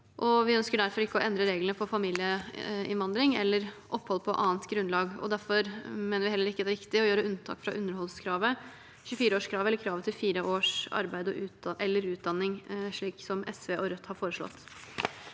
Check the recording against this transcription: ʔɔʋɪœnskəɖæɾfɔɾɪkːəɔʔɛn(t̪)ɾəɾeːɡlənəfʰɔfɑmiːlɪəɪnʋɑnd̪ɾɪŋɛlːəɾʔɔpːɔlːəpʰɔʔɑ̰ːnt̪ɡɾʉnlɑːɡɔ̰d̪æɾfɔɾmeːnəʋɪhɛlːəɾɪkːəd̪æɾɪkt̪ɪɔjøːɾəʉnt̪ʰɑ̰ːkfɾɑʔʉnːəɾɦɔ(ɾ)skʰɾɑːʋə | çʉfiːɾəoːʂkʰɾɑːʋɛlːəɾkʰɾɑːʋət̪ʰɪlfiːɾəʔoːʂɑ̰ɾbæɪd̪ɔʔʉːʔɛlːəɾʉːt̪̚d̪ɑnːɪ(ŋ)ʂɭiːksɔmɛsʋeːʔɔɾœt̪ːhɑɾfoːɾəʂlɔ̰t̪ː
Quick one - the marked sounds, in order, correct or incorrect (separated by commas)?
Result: incorrect, incorrect, correct